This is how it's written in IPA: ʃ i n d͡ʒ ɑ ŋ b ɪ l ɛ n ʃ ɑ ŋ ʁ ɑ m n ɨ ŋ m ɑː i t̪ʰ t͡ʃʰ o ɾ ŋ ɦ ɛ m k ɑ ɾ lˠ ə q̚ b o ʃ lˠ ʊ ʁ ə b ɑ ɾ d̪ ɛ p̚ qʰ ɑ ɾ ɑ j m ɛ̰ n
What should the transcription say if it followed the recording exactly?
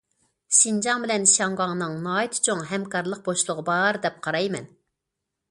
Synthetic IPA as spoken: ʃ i n d͡ʒ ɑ ŋ b ɪ l ɛ n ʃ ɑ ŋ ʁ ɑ ŋ n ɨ ŋ n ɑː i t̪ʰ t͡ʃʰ o ŋ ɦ ɛ m k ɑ ɾ lˠ ə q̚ b o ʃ lˠ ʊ ʁ ə b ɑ ɾ d̪ ɛ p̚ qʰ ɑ ɾ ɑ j m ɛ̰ n